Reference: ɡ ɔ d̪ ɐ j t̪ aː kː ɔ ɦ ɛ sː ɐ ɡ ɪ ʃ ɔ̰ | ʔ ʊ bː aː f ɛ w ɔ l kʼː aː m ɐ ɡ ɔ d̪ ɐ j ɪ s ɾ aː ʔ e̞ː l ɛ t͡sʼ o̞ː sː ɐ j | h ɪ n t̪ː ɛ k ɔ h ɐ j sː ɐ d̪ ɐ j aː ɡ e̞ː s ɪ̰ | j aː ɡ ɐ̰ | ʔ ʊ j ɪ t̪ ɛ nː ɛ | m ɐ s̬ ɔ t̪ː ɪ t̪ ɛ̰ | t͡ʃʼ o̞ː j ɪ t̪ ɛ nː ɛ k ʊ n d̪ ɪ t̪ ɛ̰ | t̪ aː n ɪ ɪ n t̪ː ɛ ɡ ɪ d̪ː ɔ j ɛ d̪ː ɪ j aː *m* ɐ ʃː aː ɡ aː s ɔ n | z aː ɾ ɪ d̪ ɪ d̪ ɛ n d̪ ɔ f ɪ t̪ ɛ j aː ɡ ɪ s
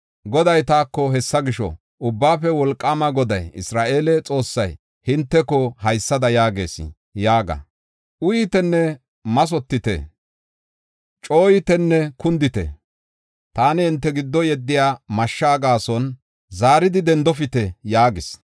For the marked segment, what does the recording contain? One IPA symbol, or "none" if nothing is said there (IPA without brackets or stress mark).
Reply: m